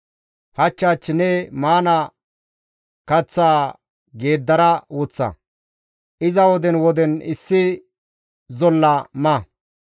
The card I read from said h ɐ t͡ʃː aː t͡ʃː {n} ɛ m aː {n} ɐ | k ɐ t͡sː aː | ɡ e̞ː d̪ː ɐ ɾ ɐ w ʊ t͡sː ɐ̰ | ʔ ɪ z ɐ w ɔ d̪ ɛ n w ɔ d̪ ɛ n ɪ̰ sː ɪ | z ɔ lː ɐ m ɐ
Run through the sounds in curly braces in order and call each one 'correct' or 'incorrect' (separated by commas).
correct, correct